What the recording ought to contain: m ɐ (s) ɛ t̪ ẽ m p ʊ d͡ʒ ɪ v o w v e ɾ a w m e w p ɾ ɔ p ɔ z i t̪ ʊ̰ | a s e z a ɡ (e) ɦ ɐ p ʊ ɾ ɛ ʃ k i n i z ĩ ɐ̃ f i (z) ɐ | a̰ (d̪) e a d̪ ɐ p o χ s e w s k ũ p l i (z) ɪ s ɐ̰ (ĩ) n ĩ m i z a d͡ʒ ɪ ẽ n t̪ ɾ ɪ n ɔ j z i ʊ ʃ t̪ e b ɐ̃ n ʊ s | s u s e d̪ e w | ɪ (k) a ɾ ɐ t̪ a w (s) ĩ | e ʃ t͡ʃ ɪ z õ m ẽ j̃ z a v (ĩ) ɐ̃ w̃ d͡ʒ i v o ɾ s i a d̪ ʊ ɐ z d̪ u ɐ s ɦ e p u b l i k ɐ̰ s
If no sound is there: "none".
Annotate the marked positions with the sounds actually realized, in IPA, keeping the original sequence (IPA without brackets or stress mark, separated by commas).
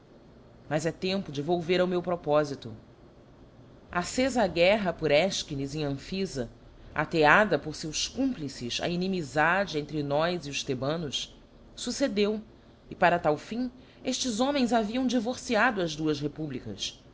z, ɛ, z, t̪, s, i, p, f, i